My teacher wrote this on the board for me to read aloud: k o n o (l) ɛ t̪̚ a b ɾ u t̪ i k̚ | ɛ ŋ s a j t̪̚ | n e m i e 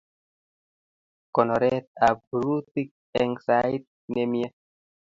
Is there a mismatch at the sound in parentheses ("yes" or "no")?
yes